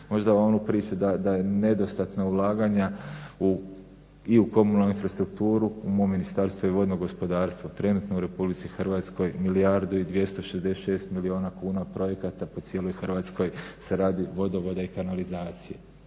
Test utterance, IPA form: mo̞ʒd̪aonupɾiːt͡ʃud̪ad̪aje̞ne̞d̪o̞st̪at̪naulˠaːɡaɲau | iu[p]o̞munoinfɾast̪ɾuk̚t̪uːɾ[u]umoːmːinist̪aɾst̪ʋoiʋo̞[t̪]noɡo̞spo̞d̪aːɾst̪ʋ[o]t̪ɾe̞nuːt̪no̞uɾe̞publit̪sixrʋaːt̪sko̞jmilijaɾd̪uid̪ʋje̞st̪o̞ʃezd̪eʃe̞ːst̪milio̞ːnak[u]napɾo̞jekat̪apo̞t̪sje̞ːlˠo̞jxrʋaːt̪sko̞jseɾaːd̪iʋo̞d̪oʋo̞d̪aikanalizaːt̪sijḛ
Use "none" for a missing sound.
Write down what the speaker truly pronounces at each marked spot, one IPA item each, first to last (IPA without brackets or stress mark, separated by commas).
k, u, d̪, o, uː